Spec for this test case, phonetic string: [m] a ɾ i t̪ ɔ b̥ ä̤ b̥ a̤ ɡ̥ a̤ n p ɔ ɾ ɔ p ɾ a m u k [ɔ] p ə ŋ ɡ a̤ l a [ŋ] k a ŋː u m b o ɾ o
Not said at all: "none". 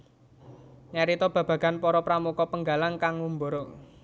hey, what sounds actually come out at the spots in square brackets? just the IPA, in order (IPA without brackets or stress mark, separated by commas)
ɲ, ɔ, ŋ